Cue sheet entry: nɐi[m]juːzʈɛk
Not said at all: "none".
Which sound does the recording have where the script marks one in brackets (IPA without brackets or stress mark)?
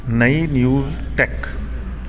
n